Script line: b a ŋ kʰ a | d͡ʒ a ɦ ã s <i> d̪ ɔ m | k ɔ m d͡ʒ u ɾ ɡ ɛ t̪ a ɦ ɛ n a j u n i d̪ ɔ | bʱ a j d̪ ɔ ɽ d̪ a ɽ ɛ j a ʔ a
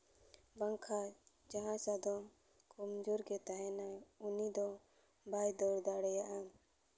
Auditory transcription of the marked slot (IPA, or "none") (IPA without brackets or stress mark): a